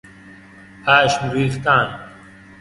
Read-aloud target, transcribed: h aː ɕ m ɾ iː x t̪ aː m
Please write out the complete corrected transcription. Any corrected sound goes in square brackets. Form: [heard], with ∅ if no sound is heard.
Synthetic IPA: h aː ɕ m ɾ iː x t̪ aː [n]